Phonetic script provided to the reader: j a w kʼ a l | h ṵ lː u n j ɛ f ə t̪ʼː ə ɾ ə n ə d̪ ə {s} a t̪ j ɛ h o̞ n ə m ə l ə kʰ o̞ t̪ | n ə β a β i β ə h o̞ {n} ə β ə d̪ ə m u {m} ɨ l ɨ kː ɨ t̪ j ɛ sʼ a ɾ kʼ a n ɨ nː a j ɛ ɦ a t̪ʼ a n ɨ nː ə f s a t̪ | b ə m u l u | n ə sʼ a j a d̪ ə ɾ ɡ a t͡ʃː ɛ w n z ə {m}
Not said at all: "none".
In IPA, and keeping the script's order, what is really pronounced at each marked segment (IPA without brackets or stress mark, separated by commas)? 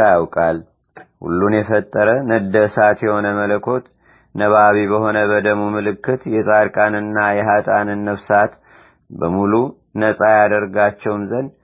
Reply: s, n, m, n